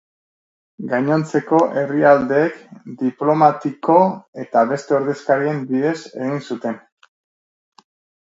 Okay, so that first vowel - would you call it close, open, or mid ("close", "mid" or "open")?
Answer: open